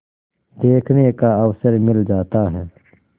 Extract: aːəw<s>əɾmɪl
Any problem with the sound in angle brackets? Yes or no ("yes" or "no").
no